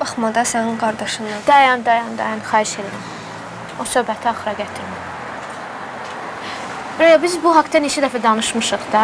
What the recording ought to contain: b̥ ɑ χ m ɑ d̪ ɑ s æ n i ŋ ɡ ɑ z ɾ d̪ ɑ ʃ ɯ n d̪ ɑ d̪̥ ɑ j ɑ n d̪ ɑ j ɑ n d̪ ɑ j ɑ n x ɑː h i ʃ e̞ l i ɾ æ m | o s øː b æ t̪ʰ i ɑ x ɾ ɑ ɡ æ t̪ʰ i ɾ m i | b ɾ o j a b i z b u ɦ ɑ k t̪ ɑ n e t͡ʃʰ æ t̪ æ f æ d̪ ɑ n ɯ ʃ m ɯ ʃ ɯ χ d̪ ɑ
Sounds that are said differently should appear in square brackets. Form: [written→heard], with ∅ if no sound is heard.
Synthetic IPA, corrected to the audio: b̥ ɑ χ m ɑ d̪ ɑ s æ n i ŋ ɡ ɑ [z→∅] ɾ d̪ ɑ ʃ ɯ n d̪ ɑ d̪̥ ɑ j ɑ n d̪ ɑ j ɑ n d̪ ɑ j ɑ n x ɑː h i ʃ e̞ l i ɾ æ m | o s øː b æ t̪ʰ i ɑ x ɾ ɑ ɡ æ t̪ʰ i ɾ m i | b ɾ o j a b i z b u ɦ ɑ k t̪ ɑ n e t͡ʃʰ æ [t̪→d̪] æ f æ d̪ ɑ n ɯ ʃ m ɯ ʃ ɯ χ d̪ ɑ